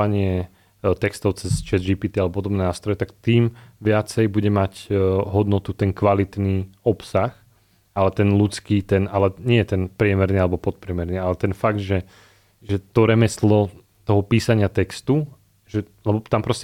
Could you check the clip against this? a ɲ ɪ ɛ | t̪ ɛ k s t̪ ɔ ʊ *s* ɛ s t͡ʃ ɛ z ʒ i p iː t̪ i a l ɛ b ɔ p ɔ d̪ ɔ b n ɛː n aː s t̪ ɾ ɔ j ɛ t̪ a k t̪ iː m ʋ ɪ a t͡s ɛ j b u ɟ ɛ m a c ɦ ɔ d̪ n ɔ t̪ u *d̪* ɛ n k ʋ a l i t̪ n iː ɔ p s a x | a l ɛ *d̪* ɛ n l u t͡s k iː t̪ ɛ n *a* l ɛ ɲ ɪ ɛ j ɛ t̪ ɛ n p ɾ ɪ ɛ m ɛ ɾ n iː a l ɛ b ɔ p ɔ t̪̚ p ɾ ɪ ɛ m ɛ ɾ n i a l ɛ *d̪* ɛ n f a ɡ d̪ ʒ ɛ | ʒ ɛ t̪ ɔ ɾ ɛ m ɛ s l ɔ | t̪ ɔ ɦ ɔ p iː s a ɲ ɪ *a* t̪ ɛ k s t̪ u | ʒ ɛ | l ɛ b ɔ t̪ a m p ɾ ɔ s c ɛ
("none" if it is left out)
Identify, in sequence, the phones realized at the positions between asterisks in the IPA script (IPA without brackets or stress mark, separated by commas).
t͡s, t̪, t̪, a, t̪, a